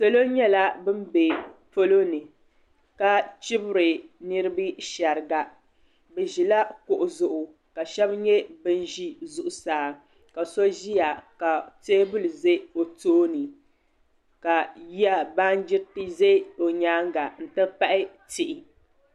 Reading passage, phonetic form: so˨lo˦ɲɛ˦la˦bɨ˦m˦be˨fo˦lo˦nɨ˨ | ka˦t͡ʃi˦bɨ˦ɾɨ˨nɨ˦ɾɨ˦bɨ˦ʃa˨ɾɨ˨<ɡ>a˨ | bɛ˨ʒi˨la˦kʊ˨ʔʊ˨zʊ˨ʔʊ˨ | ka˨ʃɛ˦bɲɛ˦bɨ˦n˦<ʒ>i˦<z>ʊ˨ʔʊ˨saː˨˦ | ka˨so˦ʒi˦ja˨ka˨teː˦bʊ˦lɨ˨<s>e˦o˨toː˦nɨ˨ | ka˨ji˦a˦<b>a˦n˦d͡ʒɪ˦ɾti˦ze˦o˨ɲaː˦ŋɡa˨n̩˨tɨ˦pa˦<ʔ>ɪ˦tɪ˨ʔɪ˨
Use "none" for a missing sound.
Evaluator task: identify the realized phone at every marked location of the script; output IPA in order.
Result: ɡ, ʒ, z, z, b, ʔ

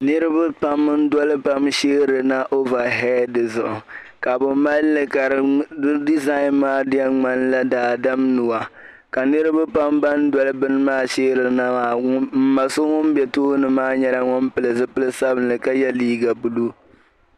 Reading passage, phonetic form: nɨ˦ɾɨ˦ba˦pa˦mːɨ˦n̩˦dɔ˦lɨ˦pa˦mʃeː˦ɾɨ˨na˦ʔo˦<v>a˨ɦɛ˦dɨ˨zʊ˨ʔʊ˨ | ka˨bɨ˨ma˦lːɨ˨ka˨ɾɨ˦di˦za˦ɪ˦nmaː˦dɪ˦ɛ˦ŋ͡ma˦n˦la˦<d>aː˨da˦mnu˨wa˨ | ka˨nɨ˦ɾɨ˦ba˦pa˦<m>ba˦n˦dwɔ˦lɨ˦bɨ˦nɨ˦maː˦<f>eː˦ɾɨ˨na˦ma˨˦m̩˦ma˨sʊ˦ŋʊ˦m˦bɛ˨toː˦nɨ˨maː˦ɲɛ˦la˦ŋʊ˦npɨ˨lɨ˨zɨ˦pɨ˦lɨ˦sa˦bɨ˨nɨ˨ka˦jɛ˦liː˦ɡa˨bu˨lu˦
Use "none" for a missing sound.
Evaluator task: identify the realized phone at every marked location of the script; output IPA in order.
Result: v, d, m, ʃ

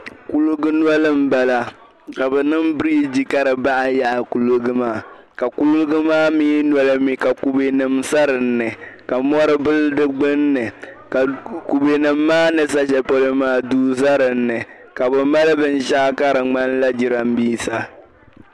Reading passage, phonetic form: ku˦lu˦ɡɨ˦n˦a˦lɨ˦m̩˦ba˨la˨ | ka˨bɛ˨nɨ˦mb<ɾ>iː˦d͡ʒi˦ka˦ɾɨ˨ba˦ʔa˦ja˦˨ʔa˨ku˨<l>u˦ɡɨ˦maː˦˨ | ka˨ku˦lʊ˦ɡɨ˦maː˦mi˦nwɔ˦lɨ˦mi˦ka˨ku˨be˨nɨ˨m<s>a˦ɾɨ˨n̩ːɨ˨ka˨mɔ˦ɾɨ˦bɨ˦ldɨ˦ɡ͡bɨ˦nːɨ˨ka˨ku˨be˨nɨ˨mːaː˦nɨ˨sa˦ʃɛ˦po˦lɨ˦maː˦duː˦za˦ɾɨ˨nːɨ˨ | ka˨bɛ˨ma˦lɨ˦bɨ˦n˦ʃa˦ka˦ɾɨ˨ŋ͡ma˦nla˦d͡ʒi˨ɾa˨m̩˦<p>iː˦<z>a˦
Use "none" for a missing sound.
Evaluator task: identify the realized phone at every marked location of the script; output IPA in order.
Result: ɾ, l, s, b, s

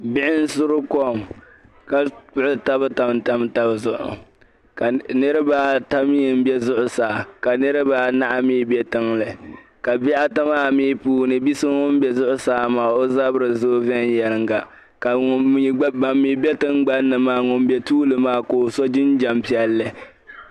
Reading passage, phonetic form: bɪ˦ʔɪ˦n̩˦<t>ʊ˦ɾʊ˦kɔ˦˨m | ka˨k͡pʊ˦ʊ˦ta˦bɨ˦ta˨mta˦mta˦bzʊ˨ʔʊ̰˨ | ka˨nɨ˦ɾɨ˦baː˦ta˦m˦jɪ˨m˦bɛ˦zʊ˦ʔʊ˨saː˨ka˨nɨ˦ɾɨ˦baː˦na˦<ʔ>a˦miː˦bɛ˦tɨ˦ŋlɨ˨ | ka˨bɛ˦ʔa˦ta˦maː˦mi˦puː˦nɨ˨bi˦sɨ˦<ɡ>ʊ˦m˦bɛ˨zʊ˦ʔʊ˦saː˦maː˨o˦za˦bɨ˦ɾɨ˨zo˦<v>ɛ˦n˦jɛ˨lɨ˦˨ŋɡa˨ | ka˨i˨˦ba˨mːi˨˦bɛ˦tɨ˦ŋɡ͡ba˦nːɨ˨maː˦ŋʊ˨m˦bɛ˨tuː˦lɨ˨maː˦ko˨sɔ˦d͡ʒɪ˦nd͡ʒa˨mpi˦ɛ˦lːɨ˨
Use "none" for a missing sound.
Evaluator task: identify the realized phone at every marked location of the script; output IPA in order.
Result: s, ʔ, ŋ, v

